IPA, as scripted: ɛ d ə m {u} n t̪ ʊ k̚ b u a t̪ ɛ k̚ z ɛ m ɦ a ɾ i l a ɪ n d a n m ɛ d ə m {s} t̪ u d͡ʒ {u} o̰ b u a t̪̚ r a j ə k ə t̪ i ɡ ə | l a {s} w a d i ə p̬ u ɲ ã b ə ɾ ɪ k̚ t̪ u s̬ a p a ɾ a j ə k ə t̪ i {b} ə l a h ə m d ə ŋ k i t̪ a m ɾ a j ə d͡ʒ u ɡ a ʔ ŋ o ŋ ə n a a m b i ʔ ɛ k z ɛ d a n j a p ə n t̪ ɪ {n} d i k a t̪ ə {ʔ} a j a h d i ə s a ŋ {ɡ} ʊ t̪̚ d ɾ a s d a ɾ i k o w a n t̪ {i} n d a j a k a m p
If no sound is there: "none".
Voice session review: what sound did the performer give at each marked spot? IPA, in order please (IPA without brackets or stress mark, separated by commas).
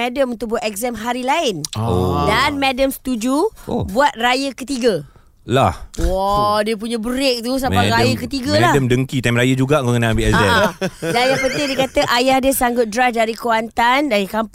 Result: u, s, u, h, ɡ, ŋ, ʔ, ɡ, a